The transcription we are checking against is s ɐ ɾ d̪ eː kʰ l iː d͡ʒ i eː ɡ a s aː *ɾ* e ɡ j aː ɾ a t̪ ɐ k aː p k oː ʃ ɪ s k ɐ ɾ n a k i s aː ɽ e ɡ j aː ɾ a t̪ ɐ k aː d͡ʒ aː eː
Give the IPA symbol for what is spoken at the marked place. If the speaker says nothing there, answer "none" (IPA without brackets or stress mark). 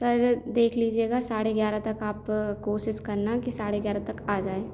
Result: ɽ